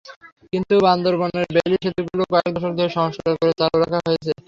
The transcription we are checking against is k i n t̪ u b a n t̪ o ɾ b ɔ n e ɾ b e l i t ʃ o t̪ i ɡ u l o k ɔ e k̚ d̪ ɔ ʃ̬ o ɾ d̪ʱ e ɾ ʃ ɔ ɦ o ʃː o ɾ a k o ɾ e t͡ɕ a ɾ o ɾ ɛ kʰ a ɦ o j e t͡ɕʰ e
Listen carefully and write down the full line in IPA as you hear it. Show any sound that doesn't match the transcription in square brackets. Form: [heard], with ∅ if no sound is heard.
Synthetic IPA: k i n t̪ u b a n [d̪] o ɾ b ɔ n e ɾ b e l i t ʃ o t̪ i ɡ u l o k ɔ e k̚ d̪ ɔ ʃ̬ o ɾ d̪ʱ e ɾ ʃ ɔ ɦ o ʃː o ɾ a k o ɾ e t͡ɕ a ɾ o ɾ [a] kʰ a ɦ o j e t͡ɕʰ e